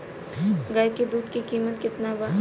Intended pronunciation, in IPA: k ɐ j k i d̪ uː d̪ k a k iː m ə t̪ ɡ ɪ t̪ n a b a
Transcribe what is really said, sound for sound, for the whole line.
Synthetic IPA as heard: ɡ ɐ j k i d̪ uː d̪ k i k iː m ə t̪ k ɪ t̪ n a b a